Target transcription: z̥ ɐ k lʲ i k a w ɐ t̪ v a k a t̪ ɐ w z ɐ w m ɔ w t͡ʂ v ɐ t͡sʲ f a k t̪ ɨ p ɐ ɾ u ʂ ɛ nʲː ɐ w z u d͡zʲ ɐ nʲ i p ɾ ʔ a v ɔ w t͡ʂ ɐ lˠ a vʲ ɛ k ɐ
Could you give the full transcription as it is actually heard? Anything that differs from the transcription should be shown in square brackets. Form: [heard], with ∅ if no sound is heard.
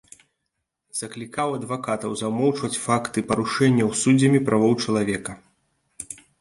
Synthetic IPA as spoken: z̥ ɐ k lʲ i k a w ɐ [d̪] v a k a t̪ ɐ w z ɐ w m ɔ w t͡ʂ v ɐ t͡sʲ f a k t̪ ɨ p ɐ ɾ u ʂ ɛ nʲː ɐ w [s] u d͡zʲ ɐ [mʲ] i p ɾ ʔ a v ɔ w t͡ʂ ɐ lˠ a vʲ ɛ k ɐ

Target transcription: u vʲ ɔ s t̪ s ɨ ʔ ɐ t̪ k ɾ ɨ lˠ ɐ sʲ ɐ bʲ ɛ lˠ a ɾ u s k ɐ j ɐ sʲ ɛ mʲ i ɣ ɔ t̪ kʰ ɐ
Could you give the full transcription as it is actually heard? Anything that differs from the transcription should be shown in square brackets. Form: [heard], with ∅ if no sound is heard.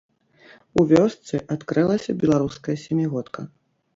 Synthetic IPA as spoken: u vʲ ɔ s t̪ s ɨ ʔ [a] t̪ k ɾ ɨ lˠ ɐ sʲ ɐ bʲ ɛ lˠ a ɾ u s k ɐ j ɐ sʲ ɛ mʲ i ɣ ɔ t̪ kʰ ɐ

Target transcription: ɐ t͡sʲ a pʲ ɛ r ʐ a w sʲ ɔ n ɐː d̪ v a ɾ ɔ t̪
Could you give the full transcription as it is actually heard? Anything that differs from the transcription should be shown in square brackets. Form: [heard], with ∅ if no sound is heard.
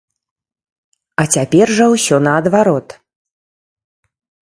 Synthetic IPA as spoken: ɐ t͡sʲ a pʲ ɛ r ʐ [ɐ] w sʲ ɔ n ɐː d̪ v a ɾ ɔ t̪

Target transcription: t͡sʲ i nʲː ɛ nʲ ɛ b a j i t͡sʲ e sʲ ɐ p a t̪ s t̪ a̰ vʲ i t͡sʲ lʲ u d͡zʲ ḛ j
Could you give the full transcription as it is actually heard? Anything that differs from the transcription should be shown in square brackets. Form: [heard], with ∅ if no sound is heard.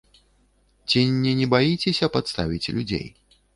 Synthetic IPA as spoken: t͡sʲ i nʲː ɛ nʲ ɛ b a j i t͡sʲ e sʲ ɐ p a t̪ s t̪ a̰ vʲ i t͡sʲ lʲ u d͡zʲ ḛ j

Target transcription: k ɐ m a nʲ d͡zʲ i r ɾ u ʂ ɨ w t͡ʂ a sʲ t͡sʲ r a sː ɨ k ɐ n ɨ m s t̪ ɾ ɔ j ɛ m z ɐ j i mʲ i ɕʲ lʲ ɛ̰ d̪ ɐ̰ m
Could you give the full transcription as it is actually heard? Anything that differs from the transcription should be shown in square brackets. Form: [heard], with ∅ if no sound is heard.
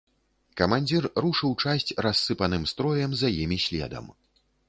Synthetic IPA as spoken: k ɐ m a nʲ d͡zʲ i r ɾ u ʂ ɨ w t͡ʂ a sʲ t͡sʲ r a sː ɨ [p] ɐ n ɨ m s t̪ ɾ ɔ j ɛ m z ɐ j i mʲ i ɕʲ lʲ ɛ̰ d̪ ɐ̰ m

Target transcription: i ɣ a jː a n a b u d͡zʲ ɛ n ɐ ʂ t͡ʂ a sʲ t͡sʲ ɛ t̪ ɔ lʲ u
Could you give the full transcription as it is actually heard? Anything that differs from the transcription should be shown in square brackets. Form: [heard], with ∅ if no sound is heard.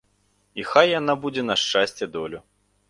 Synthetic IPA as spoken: i [x] a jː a n a b u d͡zʲ ɛ n ɐ ʂ t͡ʂ a sʲ t͡sʲ ɛ [d̪] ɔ lʲ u

